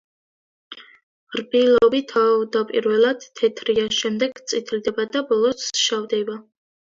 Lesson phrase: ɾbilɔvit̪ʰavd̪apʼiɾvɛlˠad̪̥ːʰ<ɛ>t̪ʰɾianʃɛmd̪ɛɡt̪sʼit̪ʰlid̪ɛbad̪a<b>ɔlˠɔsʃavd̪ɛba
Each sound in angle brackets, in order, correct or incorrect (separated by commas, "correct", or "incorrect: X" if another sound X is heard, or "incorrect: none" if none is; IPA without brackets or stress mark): correct, correct